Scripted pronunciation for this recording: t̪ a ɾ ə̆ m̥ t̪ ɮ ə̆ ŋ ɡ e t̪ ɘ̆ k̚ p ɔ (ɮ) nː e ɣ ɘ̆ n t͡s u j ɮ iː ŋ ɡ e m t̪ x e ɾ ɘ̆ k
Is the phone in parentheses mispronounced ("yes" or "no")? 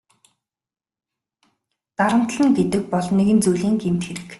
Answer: no